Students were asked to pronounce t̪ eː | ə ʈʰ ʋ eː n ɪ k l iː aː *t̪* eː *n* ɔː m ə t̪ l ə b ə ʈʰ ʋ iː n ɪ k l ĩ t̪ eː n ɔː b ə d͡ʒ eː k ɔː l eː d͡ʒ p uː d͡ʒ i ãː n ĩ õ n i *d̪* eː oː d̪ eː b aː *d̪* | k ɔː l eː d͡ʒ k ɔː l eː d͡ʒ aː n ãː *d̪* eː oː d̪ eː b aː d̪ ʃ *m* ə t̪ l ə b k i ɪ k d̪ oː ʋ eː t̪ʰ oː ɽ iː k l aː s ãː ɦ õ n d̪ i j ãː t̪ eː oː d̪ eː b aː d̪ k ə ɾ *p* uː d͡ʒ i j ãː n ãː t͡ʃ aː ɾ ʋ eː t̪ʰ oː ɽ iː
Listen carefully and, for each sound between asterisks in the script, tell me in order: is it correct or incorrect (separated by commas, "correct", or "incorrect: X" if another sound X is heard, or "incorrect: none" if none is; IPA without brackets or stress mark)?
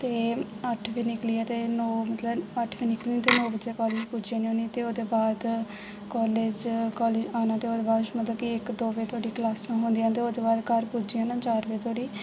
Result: correct, correct, incorrect: t̪, correct, incorrect: t̪, correct, correct